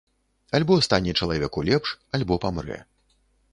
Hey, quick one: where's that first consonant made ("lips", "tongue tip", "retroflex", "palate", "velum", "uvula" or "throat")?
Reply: tongue tip